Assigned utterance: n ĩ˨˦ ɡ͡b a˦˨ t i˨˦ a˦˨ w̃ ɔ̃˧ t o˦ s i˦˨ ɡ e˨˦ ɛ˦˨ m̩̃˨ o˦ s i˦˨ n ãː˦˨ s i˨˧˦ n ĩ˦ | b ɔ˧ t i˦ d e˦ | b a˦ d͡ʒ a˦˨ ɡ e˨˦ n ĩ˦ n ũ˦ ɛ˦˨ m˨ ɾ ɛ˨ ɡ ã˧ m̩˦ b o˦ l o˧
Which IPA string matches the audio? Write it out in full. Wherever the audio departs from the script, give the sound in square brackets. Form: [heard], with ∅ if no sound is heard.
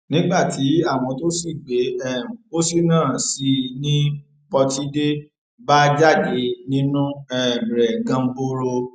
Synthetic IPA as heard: n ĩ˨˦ ɡ͡b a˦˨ t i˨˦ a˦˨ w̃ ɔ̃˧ t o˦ s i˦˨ [ɡ͡b] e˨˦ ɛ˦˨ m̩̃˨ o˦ s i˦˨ n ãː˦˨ s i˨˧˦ n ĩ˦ | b ɔ˧ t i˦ d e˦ | b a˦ d͡ʒ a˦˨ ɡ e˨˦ n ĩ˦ n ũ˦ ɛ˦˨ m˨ ɾ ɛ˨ ɡ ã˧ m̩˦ b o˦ [ɾ] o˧